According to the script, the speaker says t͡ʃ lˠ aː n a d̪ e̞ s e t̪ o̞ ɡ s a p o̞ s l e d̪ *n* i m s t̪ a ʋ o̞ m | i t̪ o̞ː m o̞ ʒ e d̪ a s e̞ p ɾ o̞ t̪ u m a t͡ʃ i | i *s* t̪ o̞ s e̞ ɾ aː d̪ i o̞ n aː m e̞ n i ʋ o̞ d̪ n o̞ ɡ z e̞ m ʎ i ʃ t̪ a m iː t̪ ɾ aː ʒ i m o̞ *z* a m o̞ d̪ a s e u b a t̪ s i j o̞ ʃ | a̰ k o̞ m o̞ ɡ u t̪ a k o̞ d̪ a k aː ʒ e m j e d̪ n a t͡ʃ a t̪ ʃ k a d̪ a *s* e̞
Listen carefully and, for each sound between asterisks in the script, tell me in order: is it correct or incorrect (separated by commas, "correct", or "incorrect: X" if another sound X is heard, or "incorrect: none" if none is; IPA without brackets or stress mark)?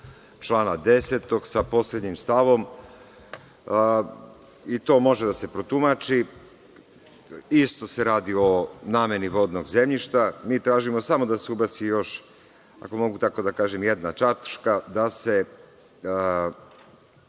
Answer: incorrect: ɲ, correct, incorrect: s, correct